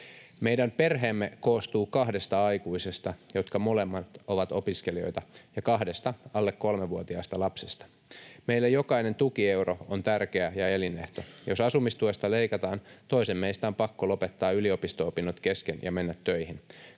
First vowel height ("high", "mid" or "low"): mid